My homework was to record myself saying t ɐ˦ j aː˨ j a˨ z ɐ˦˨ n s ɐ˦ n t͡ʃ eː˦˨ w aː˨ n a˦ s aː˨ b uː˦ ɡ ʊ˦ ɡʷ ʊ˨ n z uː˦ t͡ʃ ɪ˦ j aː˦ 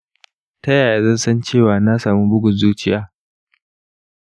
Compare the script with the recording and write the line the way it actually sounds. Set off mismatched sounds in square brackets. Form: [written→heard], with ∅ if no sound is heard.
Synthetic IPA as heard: t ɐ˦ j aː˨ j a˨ z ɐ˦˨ n s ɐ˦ n t͡ʃ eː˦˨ w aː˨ n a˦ s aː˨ [b→m] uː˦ [ɡ→b] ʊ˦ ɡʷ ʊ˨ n z uː˦ t͡ʃ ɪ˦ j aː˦